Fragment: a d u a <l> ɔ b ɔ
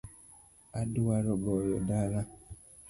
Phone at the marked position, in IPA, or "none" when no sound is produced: ɾ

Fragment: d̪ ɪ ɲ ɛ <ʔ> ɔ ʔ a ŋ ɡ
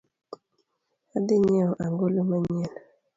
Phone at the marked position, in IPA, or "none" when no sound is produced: none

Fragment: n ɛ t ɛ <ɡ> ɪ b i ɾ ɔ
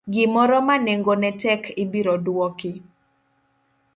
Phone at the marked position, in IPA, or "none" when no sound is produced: k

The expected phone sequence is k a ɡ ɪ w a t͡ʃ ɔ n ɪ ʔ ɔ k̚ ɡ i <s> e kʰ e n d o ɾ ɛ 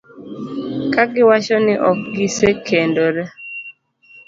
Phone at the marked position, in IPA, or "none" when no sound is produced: s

